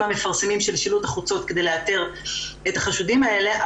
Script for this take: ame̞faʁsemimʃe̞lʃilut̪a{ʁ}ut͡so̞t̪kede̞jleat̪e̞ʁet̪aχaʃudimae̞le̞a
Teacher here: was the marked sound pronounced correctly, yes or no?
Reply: no